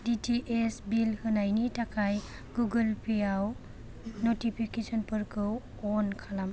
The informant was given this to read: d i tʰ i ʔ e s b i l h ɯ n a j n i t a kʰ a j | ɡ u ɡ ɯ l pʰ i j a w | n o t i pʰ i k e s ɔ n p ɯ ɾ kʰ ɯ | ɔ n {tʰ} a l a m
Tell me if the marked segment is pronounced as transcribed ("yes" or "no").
no